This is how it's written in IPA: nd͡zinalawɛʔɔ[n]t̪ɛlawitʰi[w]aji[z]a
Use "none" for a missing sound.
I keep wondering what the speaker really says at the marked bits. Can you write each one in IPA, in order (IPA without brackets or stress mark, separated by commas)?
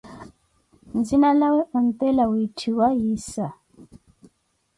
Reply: n, w, s